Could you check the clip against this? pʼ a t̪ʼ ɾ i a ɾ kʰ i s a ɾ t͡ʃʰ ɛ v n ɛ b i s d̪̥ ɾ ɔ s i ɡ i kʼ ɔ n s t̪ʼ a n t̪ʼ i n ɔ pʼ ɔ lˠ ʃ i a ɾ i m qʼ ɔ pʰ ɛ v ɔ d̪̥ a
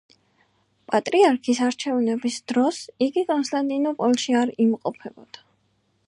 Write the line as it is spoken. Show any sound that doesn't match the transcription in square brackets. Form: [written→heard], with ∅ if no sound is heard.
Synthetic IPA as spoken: pʼ a t̪ʼ ɾ i a ɾ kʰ i s a ɾ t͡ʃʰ ɛ v n ɛ b i s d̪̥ ɾ ɔ s i ɡ i kʼ ɔ n s t̪ʼ a n t̪ʼ i n ɔ pʼ ɔ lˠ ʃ i a ɾ i m qʼ ɔ pʰ ɛ [v→b] ɔ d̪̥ a